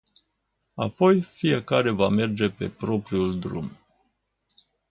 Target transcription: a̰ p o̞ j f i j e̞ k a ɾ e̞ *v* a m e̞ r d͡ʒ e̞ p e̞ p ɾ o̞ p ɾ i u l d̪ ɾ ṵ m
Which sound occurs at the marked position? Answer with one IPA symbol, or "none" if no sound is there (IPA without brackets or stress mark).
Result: v